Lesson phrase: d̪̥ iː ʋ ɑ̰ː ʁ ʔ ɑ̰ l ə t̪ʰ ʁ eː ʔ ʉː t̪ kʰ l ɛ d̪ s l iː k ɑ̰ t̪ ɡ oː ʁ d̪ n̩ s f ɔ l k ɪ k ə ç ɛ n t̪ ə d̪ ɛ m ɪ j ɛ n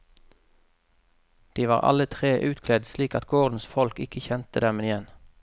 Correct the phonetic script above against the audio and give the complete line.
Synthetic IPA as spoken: d̪̥ iː ʋ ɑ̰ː ʁ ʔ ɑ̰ l ə t̪ʰ ʁ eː ʔ ʉː t̪ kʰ l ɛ d̪ s l iː k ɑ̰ t̪ ɡ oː ʁ d̪ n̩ s f ɔ l k ɪ k ə ç ɛ n t̪ ə d̪ ɛ m ɪ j ɛ n